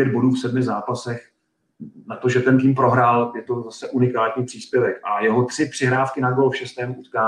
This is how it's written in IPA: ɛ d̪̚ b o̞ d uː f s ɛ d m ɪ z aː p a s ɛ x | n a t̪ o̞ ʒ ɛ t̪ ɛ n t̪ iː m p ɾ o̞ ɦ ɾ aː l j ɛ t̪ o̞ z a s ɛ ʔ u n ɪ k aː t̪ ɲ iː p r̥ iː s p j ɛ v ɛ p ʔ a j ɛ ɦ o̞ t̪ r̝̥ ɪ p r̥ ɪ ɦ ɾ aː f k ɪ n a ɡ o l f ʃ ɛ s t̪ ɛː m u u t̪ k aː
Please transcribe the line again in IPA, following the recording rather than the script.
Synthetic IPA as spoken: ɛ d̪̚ b o̞ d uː f s ɛ d m ɪ z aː p a s ɛ x | n a t̪ o̞ ʒ ɛ t̪ ɛ n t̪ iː m p ɾ o̞ ɦ ɾ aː l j ɛ t̪ o̞ z a s ɛ ʔ u n ɪ k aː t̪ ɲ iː p r̥ iː s p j ɛ v ɛ k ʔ a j ɛ ɦ o̞ t̪ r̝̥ ɪ p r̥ ɪ ɦ ɾ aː f k ɪ n a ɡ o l f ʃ ɛ s t̪ ɛː m u u t̪ k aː